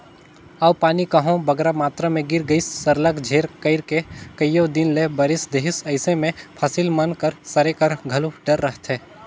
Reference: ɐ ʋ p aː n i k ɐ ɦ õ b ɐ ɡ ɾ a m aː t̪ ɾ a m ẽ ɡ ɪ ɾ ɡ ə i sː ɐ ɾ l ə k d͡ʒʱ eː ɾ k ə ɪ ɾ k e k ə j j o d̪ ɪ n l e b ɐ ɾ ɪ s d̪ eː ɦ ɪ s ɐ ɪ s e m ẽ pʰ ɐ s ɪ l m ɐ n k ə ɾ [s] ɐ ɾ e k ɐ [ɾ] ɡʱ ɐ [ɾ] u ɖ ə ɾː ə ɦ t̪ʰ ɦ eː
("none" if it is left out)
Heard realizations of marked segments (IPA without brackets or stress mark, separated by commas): s, ɾ, l